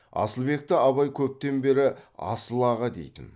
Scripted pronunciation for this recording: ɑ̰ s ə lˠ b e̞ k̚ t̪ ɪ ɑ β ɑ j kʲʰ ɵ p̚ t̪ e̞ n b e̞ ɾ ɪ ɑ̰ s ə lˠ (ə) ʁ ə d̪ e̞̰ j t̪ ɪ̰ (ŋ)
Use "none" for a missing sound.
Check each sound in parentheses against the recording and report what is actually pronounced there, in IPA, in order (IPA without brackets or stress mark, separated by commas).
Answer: ɑ, n